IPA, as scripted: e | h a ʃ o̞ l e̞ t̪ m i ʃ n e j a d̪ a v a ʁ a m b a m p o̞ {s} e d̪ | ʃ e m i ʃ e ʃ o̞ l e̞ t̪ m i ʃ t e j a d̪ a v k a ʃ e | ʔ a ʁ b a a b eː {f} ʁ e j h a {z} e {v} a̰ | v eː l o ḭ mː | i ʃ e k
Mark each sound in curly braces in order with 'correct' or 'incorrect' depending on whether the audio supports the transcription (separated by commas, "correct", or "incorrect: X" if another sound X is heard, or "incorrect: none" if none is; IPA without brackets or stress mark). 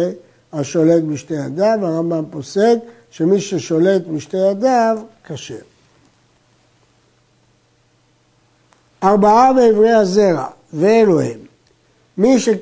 correct, incorrect: v, correct, incorrect: ʁ